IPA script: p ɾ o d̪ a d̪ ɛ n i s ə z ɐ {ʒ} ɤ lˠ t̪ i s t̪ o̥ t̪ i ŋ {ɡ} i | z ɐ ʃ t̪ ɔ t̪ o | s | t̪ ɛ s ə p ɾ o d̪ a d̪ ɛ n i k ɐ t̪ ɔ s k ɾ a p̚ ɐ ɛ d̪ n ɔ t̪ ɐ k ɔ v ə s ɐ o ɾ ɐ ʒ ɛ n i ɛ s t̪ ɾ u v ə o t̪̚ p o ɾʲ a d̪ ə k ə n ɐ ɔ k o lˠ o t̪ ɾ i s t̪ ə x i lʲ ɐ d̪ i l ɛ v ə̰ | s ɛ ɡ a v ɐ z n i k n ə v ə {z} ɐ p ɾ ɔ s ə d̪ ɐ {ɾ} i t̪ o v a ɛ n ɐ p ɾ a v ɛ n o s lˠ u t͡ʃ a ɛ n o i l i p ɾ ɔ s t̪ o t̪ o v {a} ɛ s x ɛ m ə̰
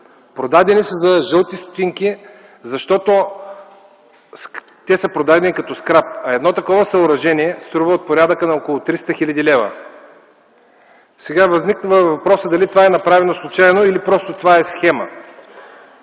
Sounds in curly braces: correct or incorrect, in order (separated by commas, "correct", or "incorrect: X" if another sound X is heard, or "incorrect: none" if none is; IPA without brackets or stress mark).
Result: correct, incorrect: k, incorrect: v, incorrect: l, correct